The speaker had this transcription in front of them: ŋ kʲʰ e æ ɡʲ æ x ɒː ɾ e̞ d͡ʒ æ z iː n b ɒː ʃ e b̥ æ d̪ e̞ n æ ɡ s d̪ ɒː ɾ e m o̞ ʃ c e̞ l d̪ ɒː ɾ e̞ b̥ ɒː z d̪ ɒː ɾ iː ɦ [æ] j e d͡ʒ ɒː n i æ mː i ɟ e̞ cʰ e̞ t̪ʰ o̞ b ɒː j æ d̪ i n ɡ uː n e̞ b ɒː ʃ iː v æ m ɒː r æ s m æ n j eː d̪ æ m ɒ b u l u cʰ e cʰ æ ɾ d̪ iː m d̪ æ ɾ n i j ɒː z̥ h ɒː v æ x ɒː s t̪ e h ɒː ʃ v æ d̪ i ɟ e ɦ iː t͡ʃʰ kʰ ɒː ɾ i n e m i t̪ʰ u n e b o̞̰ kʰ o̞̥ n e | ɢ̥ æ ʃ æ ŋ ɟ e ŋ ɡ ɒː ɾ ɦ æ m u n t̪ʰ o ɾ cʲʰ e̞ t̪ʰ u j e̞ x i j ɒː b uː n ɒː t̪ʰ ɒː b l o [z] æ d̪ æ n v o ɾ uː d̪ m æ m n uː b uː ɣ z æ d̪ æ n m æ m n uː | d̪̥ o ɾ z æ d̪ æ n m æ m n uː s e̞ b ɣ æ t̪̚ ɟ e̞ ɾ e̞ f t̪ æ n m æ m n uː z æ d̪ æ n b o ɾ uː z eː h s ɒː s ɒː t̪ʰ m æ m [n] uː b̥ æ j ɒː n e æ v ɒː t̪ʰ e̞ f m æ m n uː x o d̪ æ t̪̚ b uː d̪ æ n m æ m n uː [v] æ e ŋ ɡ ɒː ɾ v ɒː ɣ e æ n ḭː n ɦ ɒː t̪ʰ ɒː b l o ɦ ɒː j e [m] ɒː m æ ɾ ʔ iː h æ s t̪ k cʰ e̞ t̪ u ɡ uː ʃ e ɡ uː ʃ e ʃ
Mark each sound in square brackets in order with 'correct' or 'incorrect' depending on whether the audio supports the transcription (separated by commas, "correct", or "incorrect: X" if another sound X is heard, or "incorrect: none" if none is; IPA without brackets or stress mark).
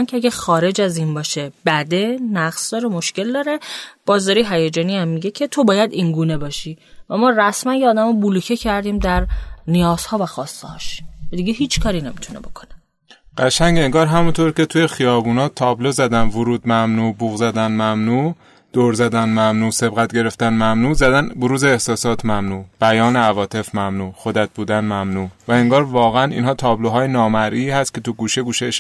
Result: correct, correct, correct, correct, incorrect: n